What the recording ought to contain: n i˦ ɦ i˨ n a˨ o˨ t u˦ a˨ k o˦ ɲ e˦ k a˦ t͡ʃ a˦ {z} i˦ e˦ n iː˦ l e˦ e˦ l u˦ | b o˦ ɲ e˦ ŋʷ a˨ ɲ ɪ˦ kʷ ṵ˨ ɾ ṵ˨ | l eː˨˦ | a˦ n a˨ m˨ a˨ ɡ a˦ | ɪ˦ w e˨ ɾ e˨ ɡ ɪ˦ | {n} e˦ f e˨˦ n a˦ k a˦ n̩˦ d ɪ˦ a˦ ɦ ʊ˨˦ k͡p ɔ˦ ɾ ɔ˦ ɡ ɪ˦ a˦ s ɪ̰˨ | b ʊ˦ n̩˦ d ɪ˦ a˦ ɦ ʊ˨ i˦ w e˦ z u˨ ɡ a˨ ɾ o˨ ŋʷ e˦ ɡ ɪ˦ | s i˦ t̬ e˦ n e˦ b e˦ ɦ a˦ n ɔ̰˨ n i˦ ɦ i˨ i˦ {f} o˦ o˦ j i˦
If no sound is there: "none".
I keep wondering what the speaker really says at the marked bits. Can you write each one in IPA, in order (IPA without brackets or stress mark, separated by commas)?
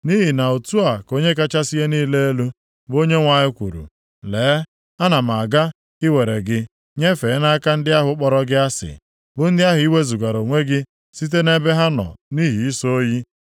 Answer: s, ɲ, s